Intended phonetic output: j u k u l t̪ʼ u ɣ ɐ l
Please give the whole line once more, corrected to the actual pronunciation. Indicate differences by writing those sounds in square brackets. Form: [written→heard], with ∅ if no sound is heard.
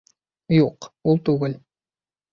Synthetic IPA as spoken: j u [k→q] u l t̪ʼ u ɣ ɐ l